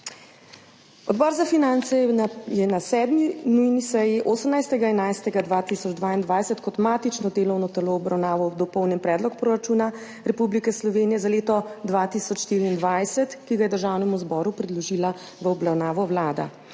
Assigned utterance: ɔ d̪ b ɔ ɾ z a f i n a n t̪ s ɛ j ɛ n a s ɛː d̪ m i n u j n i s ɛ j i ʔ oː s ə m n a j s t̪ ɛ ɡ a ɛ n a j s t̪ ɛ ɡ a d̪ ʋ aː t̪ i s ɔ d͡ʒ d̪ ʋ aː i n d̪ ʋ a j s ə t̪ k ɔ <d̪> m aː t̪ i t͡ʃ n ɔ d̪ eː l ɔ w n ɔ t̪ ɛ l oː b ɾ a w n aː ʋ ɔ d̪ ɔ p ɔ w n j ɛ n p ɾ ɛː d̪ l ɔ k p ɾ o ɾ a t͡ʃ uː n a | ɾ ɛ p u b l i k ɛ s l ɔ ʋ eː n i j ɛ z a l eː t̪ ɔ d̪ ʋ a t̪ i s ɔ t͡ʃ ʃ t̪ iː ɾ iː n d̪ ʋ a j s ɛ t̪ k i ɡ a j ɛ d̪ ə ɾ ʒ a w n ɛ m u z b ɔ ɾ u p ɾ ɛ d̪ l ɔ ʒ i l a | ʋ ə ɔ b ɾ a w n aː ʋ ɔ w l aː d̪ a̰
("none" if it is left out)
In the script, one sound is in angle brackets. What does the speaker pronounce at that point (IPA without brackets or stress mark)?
t̪